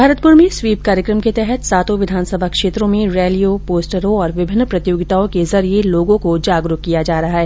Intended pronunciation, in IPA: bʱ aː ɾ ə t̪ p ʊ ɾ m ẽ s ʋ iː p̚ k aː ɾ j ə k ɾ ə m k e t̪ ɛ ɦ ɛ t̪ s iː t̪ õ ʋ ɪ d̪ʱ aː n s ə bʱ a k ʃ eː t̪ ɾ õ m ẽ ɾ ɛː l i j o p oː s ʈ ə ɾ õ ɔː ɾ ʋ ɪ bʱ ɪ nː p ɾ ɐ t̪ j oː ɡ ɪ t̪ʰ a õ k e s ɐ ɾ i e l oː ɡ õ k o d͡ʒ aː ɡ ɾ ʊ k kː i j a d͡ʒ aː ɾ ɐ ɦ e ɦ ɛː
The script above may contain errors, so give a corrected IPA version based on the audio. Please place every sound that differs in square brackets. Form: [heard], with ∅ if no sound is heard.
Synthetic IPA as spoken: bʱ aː ɾ ə t̪ p ʊ ɾ m ẽ s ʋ iː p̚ k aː ɾ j ə k ɾ ə m k e t̪ ɛ ɦ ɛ t̪ s [aː] t̪ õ ʋ ɪ d̪ʱ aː n s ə bʱ a k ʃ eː t̪ ɾ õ m ẽ ɾ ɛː l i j o p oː s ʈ ə ɾ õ ɔː ɾ ʋ ɪ bʱ ɪ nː p ɾ ɐ t̪ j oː ɡ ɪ [t̪] a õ k e [z] ɐ ɾ i e l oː ɡ õ k o d͡ʒ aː ɡ ɾ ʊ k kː i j a d͡ʒ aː ɾ ɐ ɦ [a] ɦ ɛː